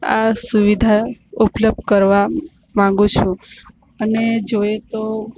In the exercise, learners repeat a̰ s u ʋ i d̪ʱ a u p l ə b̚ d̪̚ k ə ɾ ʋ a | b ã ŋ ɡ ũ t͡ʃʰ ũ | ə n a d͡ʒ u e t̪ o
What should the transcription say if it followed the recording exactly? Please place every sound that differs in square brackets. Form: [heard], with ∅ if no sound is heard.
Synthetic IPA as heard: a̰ s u ʋ i d̪ʱ a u p l ə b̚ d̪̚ k ə ɾ ʋ a | [m] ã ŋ ɡ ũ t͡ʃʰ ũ | ə n [e] d͡ʒ [o] e t̪ o